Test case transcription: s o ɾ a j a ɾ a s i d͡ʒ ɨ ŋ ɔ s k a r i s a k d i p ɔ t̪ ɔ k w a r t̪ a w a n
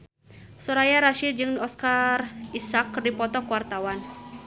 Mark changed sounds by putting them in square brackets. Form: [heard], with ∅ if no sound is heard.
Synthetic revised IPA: s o ɾ a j a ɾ a [ʃ] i d͡ʒ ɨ ŋ ɔ s k a r i s a k d i p ɔ t̪ ɔ k w a r t̪ a w a n